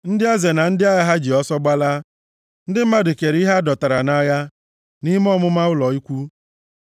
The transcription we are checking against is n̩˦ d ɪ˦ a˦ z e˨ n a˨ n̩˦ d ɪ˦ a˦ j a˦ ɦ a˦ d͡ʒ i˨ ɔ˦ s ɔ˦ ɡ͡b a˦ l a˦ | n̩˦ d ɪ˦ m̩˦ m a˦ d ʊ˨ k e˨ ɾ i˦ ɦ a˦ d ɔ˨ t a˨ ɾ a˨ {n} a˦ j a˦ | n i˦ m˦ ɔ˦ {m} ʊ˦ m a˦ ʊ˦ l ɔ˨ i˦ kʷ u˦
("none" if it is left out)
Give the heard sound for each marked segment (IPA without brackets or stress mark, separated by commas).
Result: n, m